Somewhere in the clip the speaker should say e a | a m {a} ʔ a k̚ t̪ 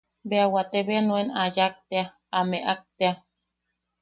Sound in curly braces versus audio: incorrect: e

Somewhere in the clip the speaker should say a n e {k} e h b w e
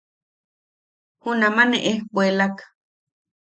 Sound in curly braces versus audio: incorrect: ʔ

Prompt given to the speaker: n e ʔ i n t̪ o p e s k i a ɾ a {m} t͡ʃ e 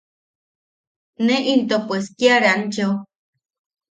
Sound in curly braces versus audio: incorrect: n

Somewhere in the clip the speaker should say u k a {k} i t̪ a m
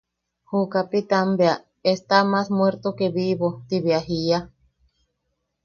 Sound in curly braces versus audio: incorrect: p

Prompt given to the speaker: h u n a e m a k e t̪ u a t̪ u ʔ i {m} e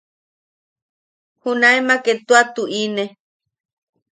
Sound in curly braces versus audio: incorrect: n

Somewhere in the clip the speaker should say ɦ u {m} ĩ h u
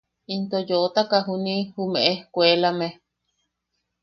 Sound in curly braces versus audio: incorrect: n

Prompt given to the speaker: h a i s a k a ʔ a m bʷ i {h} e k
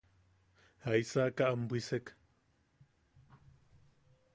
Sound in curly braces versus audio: incorrect: s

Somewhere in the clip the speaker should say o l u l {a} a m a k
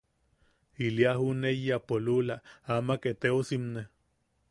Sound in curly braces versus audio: correct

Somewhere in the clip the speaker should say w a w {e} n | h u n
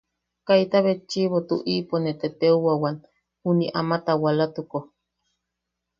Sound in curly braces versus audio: incorrect: a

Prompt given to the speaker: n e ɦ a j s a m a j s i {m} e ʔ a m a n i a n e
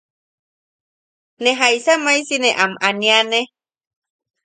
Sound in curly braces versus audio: incorrect: n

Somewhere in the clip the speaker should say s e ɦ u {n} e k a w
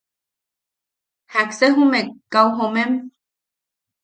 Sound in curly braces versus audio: incorrect: m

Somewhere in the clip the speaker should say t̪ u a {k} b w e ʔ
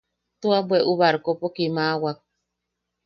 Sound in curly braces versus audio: incorrect: none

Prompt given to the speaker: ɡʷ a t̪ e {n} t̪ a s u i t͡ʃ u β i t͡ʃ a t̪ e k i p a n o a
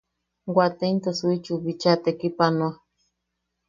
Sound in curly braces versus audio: correct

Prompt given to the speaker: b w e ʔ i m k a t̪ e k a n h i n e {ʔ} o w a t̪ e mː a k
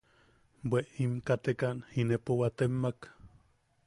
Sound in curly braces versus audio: incorrect: p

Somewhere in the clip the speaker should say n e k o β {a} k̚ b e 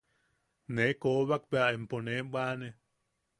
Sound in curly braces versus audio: correct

